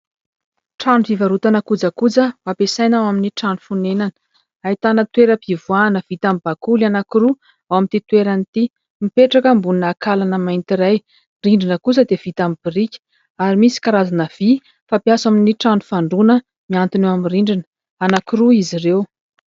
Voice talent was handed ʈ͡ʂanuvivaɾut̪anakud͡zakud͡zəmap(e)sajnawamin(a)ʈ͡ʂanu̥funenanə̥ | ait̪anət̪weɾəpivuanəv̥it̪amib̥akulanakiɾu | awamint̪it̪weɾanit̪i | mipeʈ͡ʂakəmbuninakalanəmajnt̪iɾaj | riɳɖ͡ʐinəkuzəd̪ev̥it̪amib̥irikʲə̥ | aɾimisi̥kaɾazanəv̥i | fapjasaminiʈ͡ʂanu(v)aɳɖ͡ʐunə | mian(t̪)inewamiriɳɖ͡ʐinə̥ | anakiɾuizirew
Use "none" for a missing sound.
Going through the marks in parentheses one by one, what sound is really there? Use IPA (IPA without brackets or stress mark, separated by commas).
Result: e, i, f, t̪